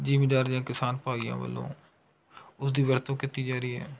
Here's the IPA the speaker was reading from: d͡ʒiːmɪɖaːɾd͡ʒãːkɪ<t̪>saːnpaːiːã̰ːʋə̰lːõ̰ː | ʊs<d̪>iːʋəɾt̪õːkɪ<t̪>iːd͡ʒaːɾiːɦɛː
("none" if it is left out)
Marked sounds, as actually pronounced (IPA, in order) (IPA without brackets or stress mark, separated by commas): none, d̪, t̪